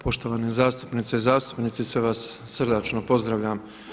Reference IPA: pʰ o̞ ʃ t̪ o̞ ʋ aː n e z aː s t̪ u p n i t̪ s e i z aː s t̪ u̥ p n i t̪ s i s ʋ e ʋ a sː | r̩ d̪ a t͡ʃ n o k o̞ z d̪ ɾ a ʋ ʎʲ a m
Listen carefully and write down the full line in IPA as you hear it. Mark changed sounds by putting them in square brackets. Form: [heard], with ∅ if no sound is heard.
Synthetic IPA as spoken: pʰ o̞ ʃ t̪ o̞ ʋ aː n e z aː s t̪ u p n i t̪ s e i z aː s t̪ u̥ p n i t̪ s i s ʋ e ʋ a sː | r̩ d̪ a t͡ʃ n o [p] o̞ z d̪ ɾ a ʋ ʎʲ a m